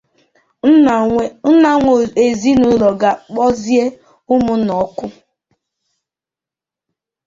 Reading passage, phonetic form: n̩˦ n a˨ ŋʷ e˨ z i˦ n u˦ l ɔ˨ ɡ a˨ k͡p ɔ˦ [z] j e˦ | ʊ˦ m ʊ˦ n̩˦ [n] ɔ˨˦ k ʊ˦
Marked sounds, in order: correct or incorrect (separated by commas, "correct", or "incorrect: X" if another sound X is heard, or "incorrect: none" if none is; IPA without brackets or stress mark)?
correct, correct